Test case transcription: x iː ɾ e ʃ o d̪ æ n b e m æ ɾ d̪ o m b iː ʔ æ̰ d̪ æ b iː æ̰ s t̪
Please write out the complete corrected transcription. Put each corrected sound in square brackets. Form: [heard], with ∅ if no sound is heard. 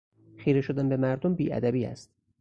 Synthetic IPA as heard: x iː ɾ e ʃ o d̪ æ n b e m æ ɾ d̪ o m b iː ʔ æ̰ d̪ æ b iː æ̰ s t̪